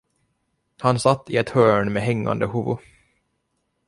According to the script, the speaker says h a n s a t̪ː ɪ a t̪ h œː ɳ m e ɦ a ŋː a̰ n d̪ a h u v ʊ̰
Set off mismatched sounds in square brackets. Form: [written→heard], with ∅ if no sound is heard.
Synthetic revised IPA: h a n s a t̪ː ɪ [a→ɛ] t̪ h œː ɳ m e ɦ [a→ɛ] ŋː a̰ n d̪ [a→ə] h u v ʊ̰